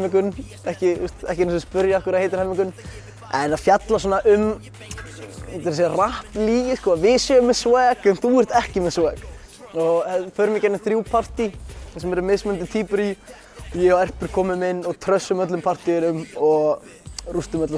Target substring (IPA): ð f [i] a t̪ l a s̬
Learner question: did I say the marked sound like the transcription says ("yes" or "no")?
no